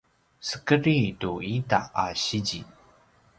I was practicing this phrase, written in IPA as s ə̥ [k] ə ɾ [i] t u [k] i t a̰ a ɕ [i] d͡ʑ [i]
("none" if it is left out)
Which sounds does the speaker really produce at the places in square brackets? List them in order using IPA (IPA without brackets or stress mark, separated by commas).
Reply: k, i, none, i, i